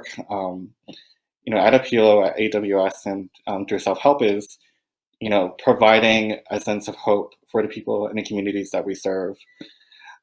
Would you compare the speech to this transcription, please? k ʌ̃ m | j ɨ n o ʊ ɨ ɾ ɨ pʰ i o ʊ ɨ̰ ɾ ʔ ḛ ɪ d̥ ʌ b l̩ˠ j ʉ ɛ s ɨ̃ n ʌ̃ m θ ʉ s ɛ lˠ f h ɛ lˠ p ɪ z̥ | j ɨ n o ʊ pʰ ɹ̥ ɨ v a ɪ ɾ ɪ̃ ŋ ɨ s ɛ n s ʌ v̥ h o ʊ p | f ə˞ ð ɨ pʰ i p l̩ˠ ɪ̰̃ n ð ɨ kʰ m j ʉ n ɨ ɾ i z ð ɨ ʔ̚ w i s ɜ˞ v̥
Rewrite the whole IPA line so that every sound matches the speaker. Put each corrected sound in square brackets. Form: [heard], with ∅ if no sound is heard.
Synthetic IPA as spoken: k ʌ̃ m | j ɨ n o ʊ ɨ ɾ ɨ pʰ i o ʊ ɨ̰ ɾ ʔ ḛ ɪ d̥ ʌ b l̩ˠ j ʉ ɛ s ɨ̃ n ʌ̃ m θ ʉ s ɛ lˠ f h ɛ lˠ p ɪ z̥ | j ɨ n o ʊ pʰ ɹ̥ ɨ v a ɪ ɾ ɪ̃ ŋ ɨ s [ɛ̃] n s ʌ v̥ h o ʊ p | f ə˞ ð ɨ pʰ i p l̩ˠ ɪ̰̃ n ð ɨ kʰ m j ʉ n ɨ ɾ i z ð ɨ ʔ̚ w i s ɜ˞ v̥